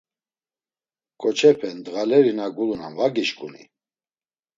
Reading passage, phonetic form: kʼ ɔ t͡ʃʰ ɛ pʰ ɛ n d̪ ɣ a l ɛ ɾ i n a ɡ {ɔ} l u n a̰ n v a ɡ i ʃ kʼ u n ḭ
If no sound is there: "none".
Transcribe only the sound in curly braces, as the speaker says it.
u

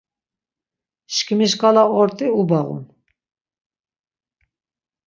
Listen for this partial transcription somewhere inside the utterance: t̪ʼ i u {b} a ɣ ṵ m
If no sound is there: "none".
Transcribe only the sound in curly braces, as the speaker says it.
b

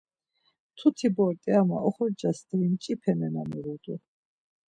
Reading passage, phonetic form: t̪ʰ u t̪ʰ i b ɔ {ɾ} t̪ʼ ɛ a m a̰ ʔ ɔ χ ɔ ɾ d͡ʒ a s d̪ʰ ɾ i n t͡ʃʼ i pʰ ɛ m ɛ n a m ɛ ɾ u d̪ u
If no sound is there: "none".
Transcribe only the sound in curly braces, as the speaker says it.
ɾ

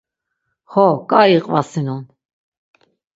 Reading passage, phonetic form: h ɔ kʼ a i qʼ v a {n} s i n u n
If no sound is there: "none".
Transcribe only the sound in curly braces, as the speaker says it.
none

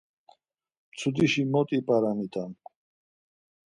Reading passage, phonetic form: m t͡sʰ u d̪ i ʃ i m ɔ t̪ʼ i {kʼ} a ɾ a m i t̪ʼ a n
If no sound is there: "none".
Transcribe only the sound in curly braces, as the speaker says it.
pʼ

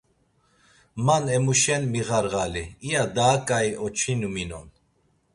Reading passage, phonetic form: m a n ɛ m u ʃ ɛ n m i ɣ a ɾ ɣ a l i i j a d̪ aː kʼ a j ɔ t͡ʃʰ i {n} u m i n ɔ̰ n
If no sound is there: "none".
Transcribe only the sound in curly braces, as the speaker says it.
n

